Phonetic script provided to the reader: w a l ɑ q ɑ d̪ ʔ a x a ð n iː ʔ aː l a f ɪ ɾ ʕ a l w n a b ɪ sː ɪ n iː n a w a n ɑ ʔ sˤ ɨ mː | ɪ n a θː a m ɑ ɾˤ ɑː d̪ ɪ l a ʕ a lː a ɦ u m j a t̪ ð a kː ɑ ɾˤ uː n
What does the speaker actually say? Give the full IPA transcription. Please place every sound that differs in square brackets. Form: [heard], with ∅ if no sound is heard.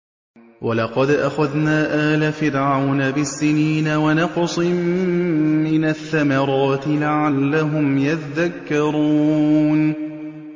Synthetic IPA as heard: w a l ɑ q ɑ d̪ ʔ a x a ð n [aː] ʔ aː l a f ɪ ɾ ʕ a [∅] w n a b ɪ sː ɪ n iː n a w a n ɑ [q] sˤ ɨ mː | ɪ n a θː a m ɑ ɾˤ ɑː [t̪] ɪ l a ʕ a lː a ɦ [ʊ] m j a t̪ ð a kː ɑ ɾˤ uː n

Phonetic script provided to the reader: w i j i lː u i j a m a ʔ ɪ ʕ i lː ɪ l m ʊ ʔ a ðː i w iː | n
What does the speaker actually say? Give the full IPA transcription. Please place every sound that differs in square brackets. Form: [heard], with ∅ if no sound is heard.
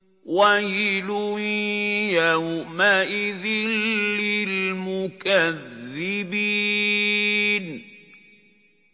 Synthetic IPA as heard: w [a] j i [l] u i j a m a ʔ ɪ [ð] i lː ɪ l m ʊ [k] a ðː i [b] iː | n

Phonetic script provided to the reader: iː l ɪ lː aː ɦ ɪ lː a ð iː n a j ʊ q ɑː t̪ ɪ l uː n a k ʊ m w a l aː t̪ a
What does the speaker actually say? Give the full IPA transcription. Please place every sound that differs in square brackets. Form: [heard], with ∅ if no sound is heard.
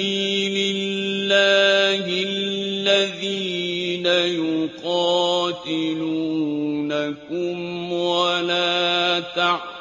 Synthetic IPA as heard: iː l ɪ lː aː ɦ ɪ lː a ð iː n a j ʊ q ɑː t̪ ɪ l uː n a k ʊ m w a l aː t̪ a

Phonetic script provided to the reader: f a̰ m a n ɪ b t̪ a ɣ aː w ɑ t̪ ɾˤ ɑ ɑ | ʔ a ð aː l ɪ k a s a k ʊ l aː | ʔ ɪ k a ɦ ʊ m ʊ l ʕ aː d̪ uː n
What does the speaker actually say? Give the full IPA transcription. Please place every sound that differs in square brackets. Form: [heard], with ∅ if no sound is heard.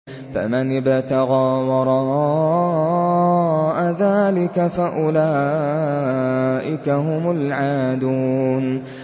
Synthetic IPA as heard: f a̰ m a n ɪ b t̪ a ɣ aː w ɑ [∅] ɾˤ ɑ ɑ | ʔ a ð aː l ɪ k a [f] a [ʔ] ʊ l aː | ʔ ɪ k a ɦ ʊ m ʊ l ʕ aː d̪ uː n

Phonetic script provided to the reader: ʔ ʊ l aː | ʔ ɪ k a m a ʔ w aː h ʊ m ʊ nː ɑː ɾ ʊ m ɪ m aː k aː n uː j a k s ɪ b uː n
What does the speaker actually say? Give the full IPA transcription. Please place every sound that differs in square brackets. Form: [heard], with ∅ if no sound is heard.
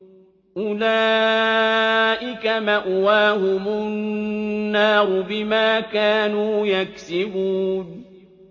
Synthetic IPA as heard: ʔ ʊ l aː | ʔ ɪ k a m a ʔ w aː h ʊ m ʊ nː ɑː ɾ ʊ [b] ɪ m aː k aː n uː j a k s ɪ b uː n

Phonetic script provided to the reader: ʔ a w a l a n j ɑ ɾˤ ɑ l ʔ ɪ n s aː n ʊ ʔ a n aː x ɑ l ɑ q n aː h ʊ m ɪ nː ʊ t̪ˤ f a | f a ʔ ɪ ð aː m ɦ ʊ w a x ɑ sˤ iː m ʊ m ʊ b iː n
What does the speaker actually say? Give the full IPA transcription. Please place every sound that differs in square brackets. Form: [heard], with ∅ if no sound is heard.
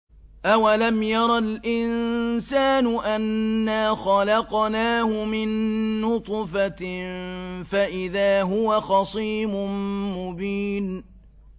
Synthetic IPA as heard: ʔ a w a l a [m] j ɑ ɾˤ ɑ l ʔ ɪ n s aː n ʊ ʔ a [nː] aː x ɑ l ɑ q n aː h ʊ m ɪ nː ʊ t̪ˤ f a | f a ʔ ɪ ð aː [∅] ɦ ʊ w a x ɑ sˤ iː m ʊ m ʊ b iː n

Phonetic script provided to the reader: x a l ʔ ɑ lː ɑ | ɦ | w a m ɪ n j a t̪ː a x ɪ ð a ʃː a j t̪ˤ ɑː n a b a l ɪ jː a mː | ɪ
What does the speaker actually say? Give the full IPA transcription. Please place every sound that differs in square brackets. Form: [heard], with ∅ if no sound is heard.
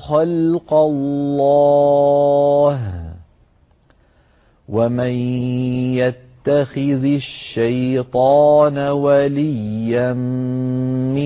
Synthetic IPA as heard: x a l [q] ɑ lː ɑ | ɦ | w a m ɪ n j a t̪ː a x ɪ ð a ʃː a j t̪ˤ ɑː n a [w] a l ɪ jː a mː | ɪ

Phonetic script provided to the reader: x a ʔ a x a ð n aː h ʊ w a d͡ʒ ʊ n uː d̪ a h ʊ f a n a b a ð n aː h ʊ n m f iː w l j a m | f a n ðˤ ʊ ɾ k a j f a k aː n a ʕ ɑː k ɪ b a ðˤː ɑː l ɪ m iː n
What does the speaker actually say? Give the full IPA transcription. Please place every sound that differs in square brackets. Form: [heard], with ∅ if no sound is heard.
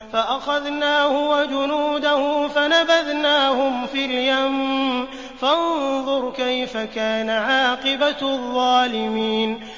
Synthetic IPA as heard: [f] a ʔ a x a ð n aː h ʊ w a d͡ʒ ʊ n uː d̪ a h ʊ f a n a b a ð n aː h ʊ [∅] m f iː [∅] l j a m | f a n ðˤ ʊ ɾ k a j f a k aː n a ʕ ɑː [q] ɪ b a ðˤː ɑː l ɪ m iː n

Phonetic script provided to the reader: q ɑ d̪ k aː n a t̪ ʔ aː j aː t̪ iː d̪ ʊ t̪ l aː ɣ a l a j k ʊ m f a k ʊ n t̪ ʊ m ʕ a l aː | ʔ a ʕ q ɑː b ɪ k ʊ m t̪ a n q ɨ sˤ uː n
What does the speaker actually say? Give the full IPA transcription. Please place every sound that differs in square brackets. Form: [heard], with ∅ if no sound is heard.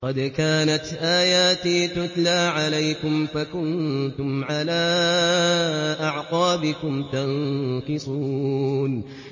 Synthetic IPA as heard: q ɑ d̪ k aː n a t̪ ʔ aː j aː t̪ iː [t̪] ʊ t̪ l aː [ʕ] a l a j k ʊ m f a k ʊ n t̪ ʊ m ʕ a l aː | ʔ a ʕ q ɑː b ɪ k ʊ m t̪ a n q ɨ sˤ uː n

